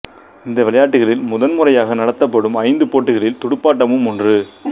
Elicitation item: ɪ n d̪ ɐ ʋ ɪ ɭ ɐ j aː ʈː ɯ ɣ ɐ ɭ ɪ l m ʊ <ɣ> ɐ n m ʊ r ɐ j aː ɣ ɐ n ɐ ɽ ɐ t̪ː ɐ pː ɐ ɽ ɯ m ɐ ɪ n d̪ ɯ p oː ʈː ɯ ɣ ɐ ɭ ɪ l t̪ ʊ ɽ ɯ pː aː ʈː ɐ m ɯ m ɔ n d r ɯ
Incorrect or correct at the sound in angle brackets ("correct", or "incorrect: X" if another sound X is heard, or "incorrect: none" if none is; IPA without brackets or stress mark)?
incorrect: ð